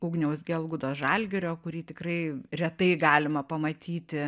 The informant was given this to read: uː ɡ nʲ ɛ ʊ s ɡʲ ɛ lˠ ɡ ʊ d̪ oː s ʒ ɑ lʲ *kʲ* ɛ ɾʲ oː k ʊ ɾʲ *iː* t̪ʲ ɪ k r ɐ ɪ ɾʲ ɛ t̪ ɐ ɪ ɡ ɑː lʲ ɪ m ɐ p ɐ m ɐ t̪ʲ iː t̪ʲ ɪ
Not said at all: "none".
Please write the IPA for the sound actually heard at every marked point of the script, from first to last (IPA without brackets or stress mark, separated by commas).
ɡʲ, iː